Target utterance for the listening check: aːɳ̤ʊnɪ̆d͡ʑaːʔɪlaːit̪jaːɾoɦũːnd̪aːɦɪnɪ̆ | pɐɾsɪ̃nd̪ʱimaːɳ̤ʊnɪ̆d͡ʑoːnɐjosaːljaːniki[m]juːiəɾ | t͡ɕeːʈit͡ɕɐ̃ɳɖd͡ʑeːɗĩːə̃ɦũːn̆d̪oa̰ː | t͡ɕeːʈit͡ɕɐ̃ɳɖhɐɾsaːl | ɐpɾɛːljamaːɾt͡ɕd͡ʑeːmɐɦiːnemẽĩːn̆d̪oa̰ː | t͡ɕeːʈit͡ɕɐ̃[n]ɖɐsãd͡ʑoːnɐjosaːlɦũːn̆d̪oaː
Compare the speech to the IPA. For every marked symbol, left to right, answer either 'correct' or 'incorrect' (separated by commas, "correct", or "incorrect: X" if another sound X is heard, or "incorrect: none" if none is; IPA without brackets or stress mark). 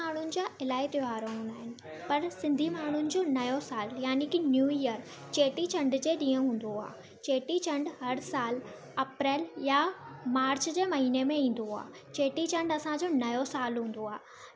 incorrect: n, incorrect: ɳ